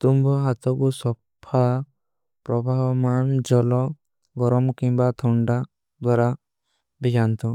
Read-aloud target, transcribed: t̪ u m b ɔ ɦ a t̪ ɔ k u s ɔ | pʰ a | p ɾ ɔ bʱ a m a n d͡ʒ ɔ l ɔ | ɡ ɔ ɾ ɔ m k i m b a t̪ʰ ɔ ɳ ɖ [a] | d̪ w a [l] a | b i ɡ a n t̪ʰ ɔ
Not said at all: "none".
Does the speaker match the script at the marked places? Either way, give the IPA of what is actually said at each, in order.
a, ɾ

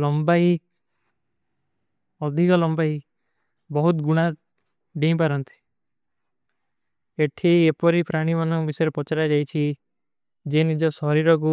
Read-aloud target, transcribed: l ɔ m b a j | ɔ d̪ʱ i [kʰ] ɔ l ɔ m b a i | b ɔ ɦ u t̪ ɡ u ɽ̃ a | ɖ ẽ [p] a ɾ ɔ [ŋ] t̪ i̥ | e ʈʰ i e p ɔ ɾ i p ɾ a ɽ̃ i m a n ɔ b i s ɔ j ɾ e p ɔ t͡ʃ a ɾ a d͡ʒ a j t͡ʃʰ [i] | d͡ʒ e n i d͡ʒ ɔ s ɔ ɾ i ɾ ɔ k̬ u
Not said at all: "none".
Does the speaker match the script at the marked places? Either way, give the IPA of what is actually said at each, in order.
k, p, n, i

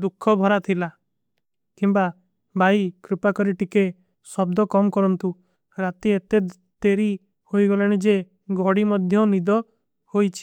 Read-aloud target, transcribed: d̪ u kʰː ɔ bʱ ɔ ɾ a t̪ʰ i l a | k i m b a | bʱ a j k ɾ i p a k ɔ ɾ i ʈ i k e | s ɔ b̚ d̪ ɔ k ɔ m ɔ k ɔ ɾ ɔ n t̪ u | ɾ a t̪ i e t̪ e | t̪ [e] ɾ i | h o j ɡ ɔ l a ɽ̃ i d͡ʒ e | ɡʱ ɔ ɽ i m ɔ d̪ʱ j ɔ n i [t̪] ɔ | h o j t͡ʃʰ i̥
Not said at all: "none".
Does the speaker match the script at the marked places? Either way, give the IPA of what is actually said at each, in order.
e, d̪

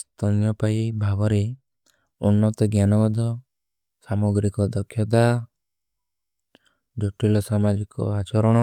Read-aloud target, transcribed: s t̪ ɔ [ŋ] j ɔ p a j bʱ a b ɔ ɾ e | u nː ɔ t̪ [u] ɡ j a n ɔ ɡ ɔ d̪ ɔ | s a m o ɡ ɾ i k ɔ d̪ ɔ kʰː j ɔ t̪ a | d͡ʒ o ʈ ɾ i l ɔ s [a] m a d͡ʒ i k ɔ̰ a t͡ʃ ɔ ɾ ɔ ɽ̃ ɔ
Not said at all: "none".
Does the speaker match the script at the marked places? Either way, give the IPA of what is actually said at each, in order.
n, ɔ, a

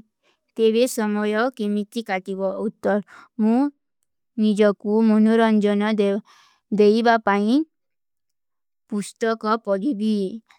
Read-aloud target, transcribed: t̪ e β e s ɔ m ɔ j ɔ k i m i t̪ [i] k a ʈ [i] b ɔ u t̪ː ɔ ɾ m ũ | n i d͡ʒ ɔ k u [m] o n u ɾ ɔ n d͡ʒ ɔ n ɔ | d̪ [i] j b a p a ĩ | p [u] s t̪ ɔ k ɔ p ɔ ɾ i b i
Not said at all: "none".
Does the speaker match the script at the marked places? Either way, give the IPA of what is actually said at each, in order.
i, i, m, e, u

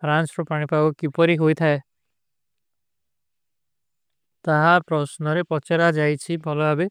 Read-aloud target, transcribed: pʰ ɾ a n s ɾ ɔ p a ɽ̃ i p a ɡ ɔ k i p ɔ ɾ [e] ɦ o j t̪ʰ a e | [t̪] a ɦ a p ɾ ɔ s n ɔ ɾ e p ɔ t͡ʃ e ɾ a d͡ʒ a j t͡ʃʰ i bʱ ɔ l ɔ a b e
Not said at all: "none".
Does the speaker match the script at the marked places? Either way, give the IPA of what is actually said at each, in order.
i, t̪

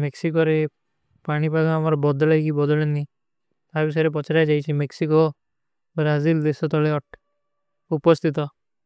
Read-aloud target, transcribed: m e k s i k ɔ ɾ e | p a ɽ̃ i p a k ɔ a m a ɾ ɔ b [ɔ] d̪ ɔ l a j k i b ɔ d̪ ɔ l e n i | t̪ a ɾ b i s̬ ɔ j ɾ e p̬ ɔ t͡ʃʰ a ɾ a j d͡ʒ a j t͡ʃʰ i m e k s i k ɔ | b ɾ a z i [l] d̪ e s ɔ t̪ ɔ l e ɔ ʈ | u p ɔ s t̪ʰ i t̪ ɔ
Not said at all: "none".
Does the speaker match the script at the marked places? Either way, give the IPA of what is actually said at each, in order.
ɔ, l

